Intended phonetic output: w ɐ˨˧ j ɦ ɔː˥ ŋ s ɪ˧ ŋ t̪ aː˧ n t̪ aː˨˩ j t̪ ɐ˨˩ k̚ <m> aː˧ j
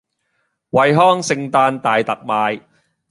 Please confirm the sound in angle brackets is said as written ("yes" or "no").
yes